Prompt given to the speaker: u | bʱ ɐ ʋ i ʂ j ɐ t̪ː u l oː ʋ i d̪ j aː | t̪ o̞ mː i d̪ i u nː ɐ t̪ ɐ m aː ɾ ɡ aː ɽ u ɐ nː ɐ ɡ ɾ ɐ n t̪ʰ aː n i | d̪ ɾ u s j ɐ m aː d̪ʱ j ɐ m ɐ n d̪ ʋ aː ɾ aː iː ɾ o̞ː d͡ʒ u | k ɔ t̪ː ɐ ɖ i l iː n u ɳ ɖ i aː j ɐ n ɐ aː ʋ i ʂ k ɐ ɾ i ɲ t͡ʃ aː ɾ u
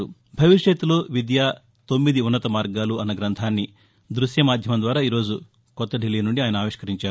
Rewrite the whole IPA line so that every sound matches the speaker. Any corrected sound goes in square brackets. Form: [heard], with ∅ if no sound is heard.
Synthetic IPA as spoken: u | bʱ ɐ ʋ i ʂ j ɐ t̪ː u l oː ʋ i d̪ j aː | t̪ o̞ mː i d̪ i u nː ɐ t̪ ɐ m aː ɾ ɡ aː [l] u ɐ nː ɐ ɡ ɾ ɐ n t̪ʰ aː [nː] i | d̪ ɾ u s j ɐ m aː d̪ʱ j ɐ m ɐ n d̪ ʋ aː ɾ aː iː ɾ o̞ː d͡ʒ u | k ɔ t̪ː ɐ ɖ i l iː n u ɳ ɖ i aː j ɐ n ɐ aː ʋ i ʂ k ɐ ɾ i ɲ t͡ʃ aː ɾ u